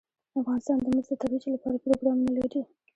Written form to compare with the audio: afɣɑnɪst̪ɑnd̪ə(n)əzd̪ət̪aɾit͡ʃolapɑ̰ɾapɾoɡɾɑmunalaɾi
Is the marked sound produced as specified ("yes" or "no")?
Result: no